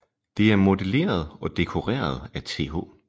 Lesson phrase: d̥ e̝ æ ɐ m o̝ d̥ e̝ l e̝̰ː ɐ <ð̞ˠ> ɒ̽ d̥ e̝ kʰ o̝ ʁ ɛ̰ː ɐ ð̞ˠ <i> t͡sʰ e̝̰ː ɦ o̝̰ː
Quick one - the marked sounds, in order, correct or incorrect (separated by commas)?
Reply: correct, incorrect